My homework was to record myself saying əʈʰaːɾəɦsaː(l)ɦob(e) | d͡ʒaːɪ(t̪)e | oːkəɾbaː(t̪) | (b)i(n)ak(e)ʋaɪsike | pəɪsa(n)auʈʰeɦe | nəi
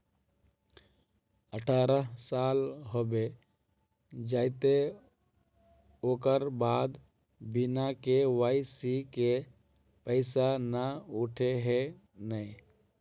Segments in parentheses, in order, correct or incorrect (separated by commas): correct, correct, correct, incorrect, correct, correct, correct, correct